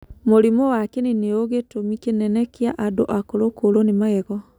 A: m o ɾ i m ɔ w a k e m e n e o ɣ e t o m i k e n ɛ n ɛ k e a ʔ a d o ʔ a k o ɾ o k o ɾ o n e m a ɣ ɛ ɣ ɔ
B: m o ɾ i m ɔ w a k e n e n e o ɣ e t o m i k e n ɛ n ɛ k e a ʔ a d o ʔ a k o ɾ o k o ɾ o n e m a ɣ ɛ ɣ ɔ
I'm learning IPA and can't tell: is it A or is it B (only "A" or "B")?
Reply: B